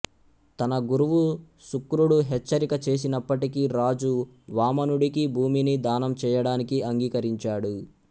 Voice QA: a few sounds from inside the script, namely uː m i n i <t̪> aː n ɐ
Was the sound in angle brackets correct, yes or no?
no